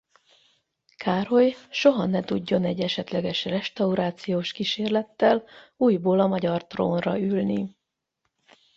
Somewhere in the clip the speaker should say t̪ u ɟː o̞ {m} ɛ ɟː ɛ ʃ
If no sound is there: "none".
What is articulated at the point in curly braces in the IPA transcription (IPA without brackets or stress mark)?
n